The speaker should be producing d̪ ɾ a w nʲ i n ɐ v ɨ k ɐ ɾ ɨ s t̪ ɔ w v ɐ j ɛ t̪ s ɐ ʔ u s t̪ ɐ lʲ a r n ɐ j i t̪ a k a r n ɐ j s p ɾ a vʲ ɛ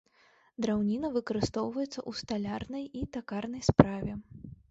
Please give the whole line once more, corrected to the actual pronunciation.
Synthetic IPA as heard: d̪ ɾ a w nʲ i n ɐ v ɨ k ɐ ɾ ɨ s t̪ ɔ w v ɐ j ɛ t̪ s ɐ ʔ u s t̪ a lʲ a r n ɐ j i t̪ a k a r n ɐ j s p ɾ a vʲ ɛ